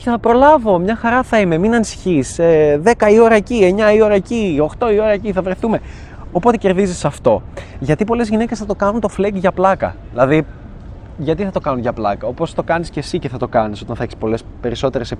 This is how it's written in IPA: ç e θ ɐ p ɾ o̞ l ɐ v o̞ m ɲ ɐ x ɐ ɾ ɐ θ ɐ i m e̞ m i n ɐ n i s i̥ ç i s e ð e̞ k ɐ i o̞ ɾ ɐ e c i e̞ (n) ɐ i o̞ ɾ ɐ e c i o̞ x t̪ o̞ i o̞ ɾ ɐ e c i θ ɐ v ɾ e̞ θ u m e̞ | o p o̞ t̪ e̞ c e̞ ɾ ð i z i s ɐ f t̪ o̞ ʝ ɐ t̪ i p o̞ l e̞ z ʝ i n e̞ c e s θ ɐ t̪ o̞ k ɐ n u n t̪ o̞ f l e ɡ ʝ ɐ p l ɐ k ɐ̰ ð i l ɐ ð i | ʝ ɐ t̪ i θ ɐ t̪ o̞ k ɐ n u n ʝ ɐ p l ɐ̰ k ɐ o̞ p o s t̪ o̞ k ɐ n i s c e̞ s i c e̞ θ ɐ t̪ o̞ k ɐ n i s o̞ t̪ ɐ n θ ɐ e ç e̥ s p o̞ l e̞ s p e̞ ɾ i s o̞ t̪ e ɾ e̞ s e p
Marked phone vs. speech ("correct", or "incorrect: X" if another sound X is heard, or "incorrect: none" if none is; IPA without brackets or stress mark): incorrect: ɲ